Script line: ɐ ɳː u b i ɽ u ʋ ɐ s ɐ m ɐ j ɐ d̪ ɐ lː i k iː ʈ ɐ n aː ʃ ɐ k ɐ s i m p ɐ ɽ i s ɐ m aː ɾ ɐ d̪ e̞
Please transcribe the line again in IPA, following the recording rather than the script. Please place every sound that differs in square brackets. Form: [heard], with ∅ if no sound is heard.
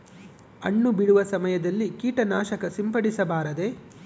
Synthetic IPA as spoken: ɐ ɳː u b i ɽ u ʋ ɐ s ɐ m ɐ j ɐ d̪ ɐ lː i k iː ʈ ɐ n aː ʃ ɐ k ɐ s i m p ɐ ɽ i s ɐ [b] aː ɾ ɐ d̪ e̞